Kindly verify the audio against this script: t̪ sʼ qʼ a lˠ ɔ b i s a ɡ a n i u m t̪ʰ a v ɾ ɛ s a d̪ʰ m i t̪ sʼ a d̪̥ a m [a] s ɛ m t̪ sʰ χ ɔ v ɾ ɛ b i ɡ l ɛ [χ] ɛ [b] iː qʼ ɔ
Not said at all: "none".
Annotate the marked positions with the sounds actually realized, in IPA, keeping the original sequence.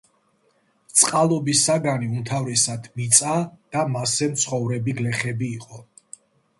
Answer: a, χ, b

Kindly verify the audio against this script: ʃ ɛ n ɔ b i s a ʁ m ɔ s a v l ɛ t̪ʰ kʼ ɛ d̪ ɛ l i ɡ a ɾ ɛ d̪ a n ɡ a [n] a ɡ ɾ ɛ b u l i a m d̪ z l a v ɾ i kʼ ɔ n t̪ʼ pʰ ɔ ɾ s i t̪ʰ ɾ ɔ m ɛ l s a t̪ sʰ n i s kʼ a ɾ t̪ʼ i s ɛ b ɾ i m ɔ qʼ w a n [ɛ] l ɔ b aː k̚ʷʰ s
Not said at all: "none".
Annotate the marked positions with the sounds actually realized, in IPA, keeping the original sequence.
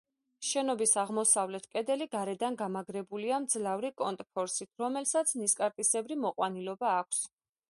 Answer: m, i

